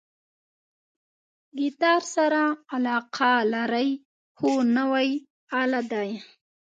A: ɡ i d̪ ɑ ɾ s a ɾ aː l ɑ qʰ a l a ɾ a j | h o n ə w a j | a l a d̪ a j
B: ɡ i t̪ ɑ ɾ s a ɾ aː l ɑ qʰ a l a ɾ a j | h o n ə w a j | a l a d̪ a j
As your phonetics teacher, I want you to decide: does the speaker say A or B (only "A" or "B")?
B